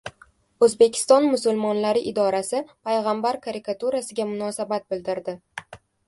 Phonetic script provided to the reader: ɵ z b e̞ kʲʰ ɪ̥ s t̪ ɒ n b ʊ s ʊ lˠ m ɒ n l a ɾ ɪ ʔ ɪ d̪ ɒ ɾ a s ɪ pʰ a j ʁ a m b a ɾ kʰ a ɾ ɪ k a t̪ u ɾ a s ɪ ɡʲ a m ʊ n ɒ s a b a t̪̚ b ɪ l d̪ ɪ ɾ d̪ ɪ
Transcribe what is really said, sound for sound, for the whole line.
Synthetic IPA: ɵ z b e̞ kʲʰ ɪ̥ s t̪ ɒ n m ʊ s ʊ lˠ m ɒ n l a ɾ ɪ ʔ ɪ d̪ ɒ ɾ a s ɪ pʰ a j ʁ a m b a ɾ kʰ a ɾ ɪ k a t̪ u ɾ a s ɪ ɡʲ a m ʊ n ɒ s a b a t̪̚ b ɪ l d̪ ɪ ɾ d̪ ɪ